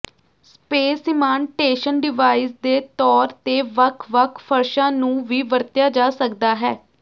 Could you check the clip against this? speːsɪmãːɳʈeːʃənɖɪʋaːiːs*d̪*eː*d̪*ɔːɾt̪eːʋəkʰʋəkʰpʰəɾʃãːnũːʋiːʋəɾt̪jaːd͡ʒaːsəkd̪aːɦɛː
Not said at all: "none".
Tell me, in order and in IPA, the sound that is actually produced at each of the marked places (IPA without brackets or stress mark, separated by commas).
d̪, t̪